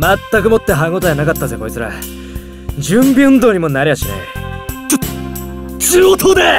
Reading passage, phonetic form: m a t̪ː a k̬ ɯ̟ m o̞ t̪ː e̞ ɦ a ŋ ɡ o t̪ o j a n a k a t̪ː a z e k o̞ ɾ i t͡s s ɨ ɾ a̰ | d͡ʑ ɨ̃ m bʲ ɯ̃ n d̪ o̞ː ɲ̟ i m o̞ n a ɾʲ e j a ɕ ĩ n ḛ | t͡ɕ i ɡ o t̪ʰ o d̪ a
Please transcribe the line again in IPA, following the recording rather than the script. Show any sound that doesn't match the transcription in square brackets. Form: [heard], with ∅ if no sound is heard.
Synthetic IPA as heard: m a t̪ː a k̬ ɯ̟ m o̞ t̪ː e̞ ɦ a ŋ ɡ o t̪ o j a n a k a t̪ː a z e k o̞ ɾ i t͡s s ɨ ɾ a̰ | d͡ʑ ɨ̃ m bʲ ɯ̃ n d̪ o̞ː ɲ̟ i m o̞ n a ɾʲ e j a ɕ [i] n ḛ | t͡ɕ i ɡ o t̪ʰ o d̪ [e]